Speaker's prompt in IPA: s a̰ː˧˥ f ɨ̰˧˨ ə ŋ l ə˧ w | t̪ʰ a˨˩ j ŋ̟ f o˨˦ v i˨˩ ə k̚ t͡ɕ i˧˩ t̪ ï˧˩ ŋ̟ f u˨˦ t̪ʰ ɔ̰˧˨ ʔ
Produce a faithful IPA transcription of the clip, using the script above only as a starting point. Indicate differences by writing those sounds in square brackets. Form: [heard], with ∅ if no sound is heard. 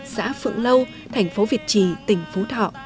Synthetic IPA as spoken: s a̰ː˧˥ f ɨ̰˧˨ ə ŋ l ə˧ w | t̪ʰ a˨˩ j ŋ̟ f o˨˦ v i˨˩ ə [t̚] t͡ɕ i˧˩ t̪ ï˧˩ ŋ̟ f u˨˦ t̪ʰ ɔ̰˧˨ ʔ